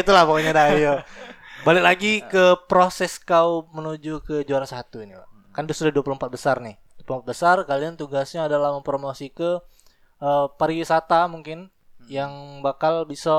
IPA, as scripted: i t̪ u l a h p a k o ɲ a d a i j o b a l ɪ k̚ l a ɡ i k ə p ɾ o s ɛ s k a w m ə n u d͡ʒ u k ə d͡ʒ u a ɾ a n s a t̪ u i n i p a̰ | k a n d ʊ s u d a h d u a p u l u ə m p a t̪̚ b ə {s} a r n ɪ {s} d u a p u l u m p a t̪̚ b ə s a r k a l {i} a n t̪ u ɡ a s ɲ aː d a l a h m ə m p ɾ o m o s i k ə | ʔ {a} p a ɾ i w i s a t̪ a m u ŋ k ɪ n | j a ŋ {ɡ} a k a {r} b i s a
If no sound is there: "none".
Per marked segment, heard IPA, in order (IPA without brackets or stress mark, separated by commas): s, h, i, ə, b, l